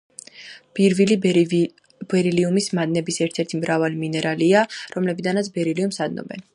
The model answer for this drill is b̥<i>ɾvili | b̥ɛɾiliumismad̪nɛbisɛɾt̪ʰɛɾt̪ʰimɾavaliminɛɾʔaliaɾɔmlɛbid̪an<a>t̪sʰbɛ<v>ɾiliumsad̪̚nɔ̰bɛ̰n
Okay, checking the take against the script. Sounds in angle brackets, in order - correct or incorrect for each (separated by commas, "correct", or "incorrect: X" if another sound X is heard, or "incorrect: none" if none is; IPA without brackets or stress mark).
correct, correct, incorrect: none